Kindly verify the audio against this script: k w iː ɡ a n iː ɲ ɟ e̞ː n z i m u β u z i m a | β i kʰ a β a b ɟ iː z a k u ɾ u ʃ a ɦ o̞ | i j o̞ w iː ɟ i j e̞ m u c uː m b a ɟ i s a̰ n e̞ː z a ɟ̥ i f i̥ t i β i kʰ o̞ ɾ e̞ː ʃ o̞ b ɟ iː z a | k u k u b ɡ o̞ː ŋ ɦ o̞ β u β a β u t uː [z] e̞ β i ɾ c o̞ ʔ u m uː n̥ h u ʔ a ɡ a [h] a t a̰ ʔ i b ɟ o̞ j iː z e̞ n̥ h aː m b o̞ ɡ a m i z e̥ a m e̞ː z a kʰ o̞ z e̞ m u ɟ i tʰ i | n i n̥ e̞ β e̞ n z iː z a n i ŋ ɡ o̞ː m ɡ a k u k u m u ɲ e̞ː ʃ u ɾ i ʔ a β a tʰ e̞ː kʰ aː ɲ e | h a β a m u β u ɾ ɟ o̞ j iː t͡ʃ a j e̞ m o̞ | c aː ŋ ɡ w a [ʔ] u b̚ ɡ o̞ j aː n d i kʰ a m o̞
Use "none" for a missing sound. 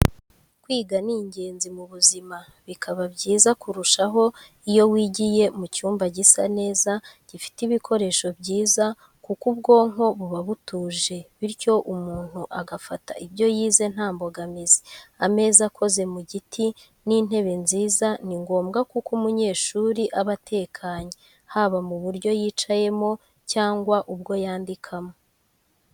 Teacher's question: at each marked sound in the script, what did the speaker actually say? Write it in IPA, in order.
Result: ʒ, f, ʔ

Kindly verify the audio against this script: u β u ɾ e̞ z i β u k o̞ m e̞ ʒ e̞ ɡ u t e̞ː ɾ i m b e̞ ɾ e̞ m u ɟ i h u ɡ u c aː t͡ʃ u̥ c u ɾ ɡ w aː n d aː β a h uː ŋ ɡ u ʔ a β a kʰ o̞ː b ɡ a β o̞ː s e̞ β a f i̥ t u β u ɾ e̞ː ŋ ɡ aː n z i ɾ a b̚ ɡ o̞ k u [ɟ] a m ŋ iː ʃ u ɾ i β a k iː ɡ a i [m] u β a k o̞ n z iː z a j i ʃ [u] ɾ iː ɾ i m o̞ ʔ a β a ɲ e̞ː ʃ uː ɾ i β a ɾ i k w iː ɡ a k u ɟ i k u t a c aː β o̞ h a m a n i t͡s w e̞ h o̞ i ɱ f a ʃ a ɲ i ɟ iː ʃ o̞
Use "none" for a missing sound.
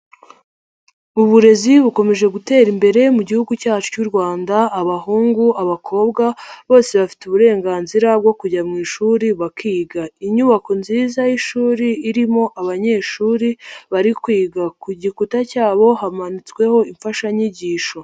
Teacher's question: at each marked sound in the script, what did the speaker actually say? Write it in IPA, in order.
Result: ɟ, ɲ, uː

